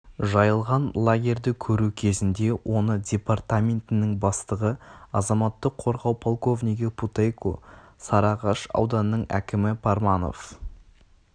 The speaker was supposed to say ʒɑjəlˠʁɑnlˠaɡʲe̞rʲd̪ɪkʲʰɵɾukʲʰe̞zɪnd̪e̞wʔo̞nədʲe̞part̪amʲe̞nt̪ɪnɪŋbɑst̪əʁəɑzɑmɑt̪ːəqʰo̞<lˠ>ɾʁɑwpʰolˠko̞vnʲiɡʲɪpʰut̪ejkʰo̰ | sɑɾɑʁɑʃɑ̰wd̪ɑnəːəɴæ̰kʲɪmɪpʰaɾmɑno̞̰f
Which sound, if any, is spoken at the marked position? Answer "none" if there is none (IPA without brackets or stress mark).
none